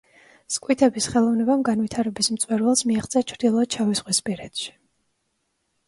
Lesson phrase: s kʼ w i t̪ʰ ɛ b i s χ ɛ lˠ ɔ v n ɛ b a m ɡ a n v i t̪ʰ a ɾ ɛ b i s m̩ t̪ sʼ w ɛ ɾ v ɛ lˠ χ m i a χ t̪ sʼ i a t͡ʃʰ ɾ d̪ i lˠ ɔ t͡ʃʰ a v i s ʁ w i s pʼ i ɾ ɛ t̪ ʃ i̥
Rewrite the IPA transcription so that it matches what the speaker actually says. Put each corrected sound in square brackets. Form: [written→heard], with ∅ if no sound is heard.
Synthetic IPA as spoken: s kʼ w i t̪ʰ ɛ b i s χ ɛ lˠ ɔ v n ɛ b a m ɡ a n v i t̪ʰ a ɾ ɛ b i s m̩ t̪ sʼ w ɛ ɾ v ɛ lˠ [χ→s] m i a χ t̪ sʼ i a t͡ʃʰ ɾ d̪ i lˠ ɔ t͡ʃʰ a v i s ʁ w i s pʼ i ɾ ɛ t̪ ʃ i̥